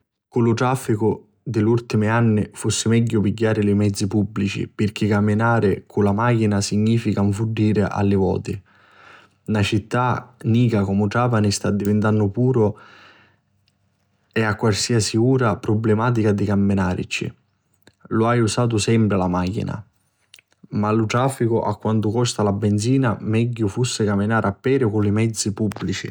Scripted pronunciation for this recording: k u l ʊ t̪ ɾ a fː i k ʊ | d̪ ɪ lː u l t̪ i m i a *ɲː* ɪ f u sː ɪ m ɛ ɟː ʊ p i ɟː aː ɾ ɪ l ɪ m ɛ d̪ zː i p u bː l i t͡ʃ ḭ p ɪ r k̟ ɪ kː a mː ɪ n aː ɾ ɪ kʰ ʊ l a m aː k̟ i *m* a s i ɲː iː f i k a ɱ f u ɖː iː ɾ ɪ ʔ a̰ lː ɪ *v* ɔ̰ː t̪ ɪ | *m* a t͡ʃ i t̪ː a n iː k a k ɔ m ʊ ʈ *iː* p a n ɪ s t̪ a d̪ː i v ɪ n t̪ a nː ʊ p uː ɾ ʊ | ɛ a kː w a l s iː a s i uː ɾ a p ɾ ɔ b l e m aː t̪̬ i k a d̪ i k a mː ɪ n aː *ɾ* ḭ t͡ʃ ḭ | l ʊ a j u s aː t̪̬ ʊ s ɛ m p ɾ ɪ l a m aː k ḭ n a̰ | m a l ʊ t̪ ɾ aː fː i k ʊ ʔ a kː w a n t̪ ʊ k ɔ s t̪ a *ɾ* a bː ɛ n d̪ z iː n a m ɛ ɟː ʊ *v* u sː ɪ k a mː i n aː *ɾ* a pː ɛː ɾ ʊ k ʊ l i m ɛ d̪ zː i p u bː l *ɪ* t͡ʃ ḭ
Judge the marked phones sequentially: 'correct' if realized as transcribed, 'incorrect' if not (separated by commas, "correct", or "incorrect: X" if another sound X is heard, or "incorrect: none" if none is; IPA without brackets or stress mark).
incorrect: nː, incorrect: n, correct, incorrect: n, incorrect: aː, correct, incorrect: l, incorrect: f, correct, incorrect: i